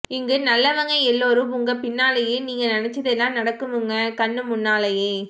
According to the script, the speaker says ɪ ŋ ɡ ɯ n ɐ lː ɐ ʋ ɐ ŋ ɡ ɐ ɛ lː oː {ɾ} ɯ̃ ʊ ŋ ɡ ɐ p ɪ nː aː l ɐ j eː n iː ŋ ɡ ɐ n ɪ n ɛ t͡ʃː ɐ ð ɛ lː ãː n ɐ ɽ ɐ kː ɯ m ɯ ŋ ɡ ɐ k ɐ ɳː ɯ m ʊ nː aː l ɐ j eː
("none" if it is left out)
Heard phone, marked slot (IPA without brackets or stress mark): ɾ